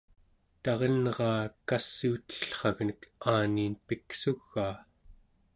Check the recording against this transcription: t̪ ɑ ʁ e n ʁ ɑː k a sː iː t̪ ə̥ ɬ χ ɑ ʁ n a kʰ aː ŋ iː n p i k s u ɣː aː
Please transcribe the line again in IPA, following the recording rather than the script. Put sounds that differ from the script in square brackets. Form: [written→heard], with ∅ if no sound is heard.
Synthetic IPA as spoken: t̪ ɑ ʁ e n ʁ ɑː k a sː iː t̪ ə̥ ɬ χ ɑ [ʁ→ɣ] n [a→ə] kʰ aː [ŋ→n] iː n p i k s u ɣː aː